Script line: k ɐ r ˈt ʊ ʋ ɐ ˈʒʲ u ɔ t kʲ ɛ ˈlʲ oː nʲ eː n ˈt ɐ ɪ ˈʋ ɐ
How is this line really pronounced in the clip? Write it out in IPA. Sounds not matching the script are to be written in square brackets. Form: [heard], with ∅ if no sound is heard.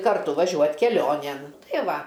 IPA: k ɐ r ˈt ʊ ʋ ɐ ˈʒʲ u ɔ t kʲ ɛ ˈlʲ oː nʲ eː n ˈt ɐ ɪ ˈʋ ɐ